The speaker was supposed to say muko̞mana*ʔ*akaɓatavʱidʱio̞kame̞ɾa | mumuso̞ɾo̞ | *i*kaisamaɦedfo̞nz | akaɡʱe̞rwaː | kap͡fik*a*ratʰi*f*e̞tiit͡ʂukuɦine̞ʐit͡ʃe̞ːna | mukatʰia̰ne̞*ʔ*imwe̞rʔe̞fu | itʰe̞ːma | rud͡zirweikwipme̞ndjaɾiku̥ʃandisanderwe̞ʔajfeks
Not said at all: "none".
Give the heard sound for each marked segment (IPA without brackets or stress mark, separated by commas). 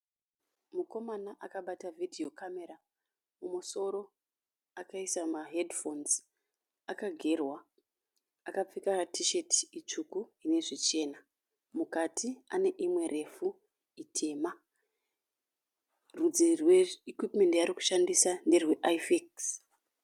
ʔ, a, a, ʃ, ʔ